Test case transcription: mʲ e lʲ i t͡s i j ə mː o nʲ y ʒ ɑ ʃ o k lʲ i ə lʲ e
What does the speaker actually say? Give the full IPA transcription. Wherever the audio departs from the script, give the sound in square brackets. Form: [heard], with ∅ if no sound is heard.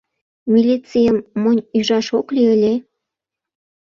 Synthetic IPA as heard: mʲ [i] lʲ i t͡s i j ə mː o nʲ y ʒ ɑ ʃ o k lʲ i ə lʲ e